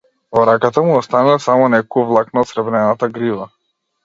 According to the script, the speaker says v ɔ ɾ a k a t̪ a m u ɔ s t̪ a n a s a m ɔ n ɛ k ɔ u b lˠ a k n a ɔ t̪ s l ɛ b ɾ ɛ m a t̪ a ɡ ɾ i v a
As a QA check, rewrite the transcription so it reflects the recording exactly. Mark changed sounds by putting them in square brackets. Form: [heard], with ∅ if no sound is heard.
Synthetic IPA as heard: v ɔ ɾ a k a t̪ a m u ɔ s t̪ a n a s a m ɔ n ɛ k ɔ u [v] lˠ a k n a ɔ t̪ s [ɾ] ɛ b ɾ ɛ [n] a t̪ a ɡ ɾ i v a